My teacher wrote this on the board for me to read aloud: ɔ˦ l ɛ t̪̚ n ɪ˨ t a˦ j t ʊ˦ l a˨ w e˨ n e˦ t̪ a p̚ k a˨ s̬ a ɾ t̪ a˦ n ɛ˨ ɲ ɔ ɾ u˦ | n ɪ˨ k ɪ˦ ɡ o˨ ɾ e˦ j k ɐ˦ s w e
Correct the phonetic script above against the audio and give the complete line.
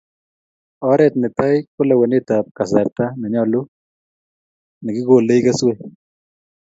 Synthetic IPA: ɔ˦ ɾ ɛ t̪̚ n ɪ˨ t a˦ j k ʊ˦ l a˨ w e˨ n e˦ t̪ a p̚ k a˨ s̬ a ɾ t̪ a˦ n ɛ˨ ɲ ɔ l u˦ | n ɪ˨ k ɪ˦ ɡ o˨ l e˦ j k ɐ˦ s w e